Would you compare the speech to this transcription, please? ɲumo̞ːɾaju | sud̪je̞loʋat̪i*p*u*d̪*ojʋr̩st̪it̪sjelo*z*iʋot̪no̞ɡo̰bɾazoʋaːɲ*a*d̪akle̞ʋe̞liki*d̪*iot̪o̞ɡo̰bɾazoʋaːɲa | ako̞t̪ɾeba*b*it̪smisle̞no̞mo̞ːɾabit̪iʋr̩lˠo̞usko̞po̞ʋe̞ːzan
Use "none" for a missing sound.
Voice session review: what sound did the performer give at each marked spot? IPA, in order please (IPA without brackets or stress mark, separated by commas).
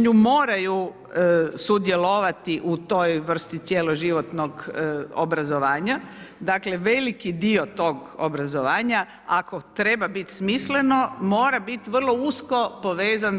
ʔ, t̪, ʒ, a, d̪, b